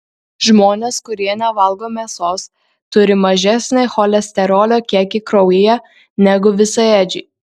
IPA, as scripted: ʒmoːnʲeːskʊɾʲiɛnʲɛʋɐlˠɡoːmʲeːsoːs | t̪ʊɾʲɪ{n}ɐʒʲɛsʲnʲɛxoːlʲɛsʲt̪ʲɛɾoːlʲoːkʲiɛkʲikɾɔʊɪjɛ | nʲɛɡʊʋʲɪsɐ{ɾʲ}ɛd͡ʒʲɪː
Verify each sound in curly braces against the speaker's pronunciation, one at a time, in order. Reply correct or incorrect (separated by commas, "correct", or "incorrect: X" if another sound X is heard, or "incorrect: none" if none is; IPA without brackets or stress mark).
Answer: incorrect: m, incorrect: none